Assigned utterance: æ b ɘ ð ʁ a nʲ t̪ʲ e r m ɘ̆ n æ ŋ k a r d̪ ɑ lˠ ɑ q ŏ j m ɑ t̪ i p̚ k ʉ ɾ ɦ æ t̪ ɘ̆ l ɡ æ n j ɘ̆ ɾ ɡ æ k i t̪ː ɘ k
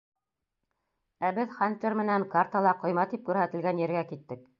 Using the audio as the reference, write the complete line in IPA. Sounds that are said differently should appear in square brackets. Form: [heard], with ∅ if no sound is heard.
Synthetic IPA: æ b ɘ ð [χ] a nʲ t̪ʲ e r m ɘ̆ n æ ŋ k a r [t̪] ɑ lˠ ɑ q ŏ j m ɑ t̪ i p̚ k ʉ ɾ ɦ æ t̪ ɘ̆ l ɡ æ n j ɘ̆ ɾ ɡ æ k i t̪ː ɘ k